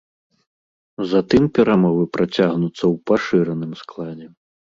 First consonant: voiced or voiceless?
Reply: voiced